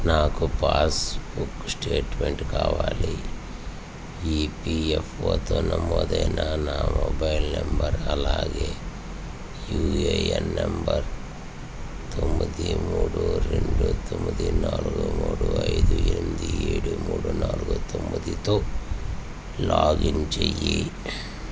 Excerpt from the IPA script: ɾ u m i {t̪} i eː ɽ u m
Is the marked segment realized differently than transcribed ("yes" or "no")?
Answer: yes